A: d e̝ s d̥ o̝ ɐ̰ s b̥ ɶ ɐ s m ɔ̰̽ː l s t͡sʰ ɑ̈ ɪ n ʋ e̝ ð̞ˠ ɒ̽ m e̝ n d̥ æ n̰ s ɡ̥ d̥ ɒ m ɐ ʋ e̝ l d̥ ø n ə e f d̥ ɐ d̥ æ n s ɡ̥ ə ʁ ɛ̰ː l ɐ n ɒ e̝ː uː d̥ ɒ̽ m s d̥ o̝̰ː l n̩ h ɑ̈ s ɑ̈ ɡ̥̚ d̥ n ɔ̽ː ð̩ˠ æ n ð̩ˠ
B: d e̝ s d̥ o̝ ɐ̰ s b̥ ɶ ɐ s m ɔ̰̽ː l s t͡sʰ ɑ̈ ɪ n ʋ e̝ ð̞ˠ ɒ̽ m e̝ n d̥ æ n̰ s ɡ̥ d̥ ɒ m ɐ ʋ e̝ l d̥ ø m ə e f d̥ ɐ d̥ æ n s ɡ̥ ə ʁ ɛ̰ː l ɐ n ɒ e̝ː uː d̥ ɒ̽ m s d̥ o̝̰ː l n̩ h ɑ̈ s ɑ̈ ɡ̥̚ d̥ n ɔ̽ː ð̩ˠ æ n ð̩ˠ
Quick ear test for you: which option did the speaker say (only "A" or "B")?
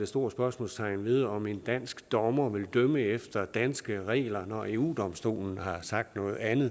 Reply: B